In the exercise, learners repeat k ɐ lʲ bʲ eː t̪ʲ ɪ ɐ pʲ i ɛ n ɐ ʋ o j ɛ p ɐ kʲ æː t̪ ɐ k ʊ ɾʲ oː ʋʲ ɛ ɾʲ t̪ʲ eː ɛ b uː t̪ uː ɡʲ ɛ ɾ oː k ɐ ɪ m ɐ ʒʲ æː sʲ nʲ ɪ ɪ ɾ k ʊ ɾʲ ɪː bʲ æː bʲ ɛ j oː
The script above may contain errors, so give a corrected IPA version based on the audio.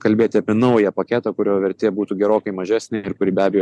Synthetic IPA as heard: k ɐ lʲ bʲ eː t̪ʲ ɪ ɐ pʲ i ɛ n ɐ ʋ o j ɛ p ɐ kʲ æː t̪ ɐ k ʊ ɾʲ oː ʋʲ ɛ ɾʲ t̪ʲ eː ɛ b uː t̪ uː ɡʲ ɛ ɾ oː k ɐ ɪ m ɐ ʒʲ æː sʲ nʲ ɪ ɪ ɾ k ʊ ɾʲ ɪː bʲ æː bʲ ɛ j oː